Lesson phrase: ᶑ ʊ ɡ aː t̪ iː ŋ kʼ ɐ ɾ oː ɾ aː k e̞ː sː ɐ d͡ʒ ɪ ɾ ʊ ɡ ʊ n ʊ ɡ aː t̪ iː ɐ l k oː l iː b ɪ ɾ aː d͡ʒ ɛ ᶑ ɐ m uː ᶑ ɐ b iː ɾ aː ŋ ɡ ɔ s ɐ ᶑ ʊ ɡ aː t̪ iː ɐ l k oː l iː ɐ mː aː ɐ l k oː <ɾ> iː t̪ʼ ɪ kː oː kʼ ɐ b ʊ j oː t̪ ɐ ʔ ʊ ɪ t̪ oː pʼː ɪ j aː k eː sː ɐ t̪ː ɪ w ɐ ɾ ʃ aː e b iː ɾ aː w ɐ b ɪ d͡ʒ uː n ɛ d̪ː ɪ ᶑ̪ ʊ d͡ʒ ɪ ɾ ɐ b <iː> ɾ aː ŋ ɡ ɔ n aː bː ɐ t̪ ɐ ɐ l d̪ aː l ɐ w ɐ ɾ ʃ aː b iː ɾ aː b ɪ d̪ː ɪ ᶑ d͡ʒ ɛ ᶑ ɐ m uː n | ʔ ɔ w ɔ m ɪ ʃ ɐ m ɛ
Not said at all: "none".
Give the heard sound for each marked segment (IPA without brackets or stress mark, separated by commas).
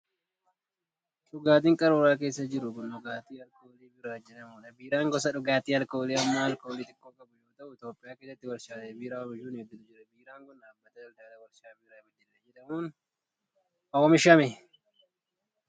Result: l, iː